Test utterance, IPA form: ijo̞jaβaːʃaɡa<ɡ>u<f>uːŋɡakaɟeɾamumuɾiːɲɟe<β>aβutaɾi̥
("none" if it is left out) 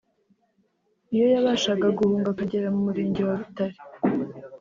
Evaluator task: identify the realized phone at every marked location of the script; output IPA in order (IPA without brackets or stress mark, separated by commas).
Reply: ɡ, h, w